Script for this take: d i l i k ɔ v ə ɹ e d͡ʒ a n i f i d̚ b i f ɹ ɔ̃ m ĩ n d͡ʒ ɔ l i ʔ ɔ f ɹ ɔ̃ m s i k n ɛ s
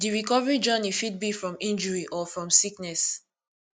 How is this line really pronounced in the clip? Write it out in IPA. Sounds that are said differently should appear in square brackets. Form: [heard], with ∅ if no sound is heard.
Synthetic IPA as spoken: d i [ɹ] i k ɔ v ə ɹ [i] d͡ʒ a n i f i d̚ b i f ɹ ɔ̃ m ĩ n d͡ʒ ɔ [ɹ] i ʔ ɔ f ɹ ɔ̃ m s i k n ɛ s

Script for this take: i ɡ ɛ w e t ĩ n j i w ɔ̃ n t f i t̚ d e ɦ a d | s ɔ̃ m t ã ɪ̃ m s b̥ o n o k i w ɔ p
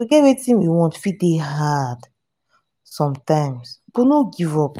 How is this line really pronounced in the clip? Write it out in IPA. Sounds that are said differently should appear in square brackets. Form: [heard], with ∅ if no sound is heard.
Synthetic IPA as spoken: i ɡ ɛ w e t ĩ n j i w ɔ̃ n t f i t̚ d e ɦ a d | s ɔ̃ m t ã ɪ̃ m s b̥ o n o [ɡ] i [v] ɔ p

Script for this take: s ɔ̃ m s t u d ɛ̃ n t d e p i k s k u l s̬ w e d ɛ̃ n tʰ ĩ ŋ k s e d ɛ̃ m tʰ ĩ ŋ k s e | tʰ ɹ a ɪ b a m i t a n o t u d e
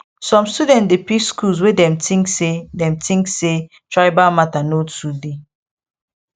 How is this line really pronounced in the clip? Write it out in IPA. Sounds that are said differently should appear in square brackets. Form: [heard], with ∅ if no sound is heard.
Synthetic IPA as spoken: s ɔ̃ m s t u d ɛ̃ n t d e p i k s k u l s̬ w e d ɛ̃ [m] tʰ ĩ ŋ k s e d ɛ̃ m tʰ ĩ ŋ k s e | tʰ ɹ a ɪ b a m [a] t a n o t u d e

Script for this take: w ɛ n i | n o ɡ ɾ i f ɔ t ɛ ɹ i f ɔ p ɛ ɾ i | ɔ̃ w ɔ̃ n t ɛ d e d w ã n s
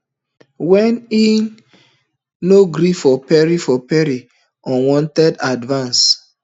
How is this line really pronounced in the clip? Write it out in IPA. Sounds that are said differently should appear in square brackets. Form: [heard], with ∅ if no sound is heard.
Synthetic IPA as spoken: w ɛ n i | n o ɡ ɾ i f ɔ [p] ɛ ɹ i f ɔ p ɛ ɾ i | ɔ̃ w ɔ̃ n t ɛ d [a] d [v] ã n s

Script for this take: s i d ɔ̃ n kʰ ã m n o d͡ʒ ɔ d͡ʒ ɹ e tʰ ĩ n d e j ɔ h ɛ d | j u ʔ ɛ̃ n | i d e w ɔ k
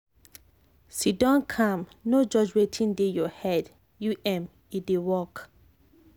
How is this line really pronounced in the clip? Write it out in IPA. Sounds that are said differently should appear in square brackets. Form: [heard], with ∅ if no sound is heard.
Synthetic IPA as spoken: s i d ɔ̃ n kʰ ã m n o d͡ʒ ɔ d͡ʒ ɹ e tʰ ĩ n d e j ɔ h ɛ d | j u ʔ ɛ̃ [m] | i d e w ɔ k

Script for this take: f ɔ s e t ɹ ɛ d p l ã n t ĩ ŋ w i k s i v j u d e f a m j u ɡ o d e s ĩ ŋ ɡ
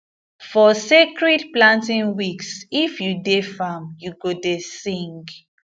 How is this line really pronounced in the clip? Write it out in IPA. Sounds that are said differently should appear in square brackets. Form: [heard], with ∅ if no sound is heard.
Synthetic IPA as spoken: f ɔ s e [k] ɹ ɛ d p l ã n t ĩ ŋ w i k s i [f] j u d e f a m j u ɡ o d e s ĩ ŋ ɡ

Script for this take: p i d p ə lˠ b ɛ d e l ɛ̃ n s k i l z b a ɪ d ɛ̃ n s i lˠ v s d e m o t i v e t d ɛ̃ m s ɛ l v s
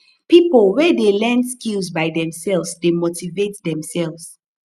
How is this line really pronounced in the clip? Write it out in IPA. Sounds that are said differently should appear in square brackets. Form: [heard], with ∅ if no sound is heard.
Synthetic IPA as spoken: p i [∅] p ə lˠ [w] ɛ d e l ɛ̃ n s k i l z b a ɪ d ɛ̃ [m] s [ɛ] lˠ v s d e m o t i v e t d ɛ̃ m s ɛ l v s

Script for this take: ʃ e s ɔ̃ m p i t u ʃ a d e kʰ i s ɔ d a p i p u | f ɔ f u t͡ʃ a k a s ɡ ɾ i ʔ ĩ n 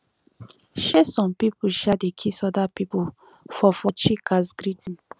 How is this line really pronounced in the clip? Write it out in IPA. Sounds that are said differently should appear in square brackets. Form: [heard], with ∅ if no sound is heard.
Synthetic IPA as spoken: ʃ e s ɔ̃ m p i [p] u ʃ a d e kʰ i s ɔ d a p i p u | f ɔ f [ɔ] t͡ʃ [i] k a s ɡ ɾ i [t] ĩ n

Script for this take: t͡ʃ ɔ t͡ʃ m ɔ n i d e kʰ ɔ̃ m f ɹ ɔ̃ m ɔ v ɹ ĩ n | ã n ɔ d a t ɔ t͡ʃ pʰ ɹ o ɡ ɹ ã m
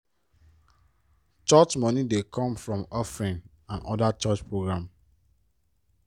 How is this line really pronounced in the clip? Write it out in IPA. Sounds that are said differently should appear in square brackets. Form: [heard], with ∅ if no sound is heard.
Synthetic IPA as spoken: t͡ʃ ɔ t͡ʃ m ɔ n i d e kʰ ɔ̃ m f ɹ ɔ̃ m ɔ [f] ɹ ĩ n | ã n ɔ d a [t͡ʃ] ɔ t͡ʃ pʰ ɹ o ɡ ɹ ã m

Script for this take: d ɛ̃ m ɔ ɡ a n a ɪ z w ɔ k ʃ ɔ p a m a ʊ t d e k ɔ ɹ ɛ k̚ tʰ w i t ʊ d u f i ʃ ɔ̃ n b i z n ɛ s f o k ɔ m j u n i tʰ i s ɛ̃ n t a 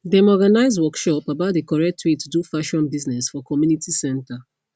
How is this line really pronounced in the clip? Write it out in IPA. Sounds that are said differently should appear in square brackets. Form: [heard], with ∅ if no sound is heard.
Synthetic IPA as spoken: d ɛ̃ m ɔ ɡ a n a ɪ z w ɔ k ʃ ɔ p a [b] a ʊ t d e k ɔ ɹ ɛ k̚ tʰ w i t [u] d u f [a] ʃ ɔ̃ n b i z n ɛ s f [ɔ] k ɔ m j u n i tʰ i s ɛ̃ n t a

